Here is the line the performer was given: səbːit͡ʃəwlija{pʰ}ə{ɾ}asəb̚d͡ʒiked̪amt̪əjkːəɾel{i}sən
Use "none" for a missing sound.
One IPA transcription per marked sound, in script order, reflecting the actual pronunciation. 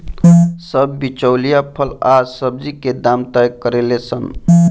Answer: pʰ, l, e

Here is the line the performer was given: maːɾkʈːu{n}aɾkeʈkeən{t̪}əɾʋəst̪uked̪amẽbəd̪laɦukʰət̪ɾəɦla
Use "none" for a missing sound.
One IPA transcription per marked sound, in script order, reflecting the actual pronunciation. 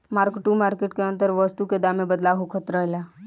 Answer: m, t̪

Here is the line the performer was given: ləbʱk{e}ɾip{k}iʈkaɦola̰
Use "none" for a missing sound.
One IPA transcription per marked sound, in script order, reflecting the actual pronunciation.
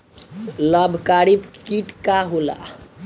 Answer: a, k

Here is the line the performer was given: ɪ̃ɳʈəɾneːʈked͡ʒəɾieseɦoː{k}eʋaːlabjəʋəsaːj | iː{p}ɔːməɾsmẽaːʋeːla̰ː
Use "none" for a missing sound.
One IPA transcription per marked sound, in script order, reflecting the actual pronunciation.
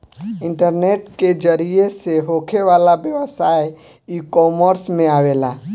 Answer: kʰ, k

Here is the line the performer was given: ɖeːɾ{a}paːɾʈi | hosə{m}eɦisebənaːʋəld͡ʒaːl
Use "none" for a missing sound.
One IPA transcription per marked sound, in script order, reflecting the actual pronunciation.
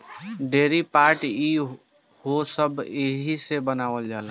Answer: i, b

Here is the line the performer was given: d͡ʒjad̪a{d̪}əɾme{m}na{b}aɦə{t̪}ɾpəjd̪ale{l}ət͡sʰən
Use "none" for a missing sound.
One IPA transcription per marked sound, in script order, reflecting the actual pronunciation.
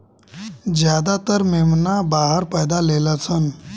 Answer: t̪, m, b, none, l

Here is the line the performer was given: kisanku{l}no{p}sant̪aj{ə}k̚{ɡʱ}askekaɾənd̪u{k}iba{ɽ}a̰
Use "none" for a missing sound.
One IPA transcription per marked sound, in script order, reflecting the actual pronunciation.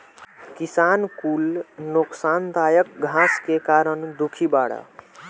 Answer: l, k, ə, ɡʱ, kʰ, ɽ

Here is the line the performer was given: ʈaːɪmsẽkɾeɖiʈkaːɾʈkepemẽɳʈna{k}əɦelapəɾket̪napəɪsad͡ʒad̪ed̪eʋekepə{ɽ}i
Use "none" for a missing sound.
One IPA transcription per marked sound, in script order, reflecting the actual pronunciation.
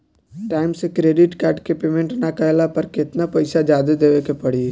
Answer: k, ɽ

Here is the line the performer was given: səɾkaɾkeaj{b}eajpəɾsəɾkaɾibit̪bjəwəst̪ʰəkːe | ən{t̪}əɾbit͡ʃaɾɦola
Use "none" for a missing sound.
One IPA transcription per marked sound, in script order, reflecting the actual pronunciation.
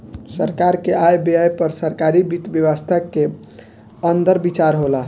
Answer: b, d̪

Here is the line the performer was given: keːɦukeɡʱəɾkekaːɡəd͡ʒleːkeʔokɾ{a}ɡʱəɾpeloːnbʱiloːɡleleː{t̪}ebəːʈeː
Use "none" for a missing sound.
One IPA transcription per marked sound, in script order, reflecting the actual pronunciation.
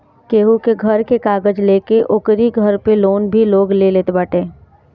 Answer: i, t̪

